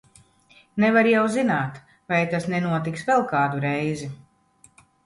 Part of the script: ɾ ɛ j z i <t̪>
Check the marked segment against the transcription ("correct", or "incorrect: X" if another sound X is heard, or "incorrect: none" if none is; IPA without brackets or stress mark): incorrect: none